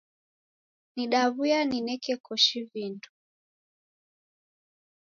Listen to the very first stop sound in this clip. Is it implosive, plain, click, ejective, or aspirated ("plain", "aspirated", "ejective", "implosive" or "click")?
implosive